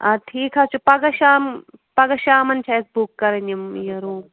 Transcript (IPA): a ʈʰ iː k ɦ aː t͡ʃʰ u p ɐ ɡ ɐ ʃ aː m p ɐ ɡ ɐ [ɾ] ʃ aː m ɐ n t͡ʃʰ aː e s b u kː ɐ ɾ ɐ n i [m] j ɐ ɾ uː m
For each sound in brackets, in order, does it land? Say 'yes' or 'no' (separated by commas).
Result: no, yes